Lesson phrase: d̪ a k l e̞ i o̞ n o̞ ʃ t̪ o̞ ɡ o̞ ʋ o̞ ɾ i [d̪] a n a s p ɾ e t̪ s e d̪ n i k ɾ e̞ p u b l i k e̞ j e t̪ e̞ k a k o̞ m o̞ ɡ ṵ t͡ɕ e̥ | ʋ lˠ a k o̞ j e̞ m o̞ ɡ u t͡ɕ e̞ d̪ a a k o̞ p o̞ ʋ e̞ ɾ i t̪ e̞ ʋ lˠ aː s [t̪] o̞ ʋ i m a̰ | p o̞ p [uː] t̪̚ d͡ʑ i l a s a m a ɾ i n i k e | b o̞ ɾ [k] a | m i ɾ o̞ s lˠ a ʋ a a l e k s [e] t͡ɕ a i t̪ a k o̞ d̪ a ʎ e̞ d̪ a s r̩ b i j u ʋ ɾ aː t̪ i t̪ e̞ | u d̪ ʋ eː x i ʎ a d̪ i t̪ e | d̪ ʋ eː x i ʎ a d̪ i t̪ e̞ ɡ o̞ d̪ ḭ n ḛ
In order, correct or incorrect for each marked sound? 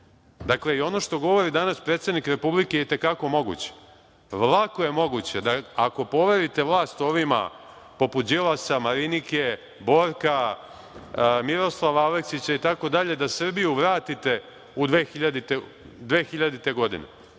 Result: correct, correct, incorrect: u, correct, incorrect: i

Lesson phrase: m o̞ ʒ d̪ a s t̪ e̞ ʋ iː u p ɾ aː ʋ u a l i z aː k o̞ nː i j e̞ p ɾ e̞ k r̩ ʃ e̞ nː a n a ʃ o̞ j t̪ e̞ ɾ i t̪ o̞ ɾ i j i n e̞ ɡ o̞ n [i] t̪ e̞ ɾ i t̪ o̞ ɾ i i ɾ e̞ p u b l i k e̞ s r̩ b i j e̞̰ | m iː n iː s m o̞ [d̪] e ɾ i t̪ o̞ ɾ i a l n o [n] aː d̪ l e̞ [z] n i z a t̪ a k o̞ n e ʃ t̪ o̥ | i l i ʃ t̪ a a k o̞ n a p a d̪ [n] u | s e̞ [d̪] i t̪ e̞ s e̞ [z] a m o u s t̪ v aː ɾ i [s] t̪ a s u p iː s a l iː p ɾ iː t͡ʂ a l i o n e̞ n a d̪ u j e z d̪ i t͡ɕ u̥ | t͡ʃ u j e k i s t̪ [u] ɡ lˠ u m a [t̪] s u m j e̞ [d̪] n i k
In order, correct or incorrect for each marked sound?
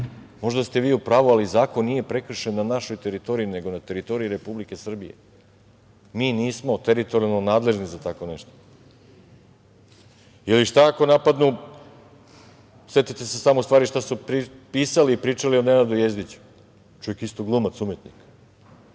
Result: incorrect: a, incorrect: t̪, correct, incorrect: ʒ, correct, incorrect: t̪, incorrect: s, incorrect: ʃ, incorrect: o, correct, incorrect: t̪

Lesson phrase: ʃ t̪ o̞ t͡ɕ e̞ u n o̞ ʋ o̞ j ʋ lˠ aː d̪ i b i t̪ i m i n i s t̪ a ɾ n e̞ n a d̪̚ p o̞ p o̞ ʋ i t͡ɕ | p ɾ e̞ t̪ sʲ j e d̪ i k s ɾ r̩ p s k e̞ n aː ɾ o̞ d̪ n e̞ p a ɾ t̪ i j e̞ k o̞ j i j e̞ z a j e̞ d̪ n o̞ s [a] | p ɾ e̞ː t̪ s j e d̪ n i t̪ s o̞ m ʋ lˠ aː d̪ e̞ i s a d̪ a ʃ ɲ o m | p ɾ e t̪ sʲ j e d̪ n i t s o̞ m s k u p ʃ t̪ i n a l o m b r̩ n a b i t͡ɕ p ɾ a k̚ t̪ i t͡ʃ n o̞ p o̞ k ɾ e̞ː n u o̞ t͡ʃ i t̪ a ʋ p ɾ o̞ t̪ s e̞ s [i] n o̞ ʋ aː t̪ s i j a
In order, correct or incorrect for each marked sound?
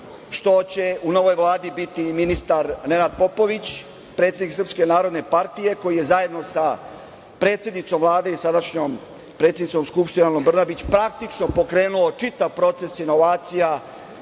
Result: correct, correct

